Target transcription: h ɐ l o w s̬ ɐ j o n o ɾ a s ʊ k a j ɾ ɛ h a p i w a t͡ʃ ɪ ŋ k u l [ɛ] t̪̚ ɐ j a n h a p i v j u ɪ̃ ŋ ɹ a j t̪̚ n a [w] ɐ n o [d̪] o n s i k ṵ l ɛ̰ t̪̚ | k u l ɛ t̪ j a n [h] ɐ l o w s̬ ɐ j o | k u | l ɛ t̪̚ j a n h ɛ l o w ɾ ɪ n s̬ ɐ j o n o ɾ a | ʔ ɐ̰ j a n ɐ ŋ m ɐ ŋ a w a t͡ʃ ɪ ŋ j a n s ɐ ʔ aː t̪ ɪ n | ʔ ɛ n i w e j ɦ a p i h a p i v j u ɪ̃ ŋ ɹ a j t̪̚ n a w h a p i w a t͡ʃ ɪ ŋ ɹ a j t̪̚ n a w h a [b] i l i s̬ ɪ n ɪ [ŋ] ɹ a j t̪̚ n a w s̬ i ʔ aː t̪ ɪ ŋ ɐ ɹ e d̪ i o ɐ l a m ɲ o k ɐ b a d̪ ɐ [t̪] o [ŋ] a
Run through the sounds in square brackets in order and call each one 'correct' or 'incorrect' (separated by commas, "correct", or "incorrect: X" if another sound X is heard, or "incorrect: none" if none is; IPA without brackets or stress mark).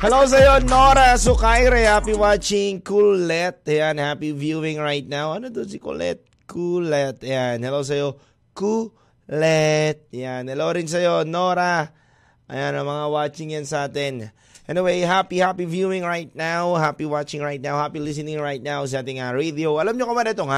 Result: correct, correct, correct, correct, incorrect: p, correct, correct, correct